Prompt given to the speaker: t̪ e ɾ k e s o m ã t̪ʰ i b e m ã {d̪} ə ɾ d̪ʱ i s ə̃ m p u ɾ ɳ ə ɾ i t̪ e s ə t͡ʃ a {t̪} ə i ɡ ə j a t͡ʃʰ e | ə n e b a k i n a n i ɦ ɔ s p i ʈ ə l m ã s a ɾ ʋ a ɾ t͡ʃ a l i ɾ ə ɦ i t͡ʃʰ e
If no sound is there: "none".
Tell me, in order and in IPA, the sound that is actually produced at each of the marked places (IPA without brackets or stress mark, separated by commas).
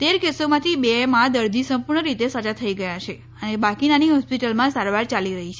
d̪, t̪ʰ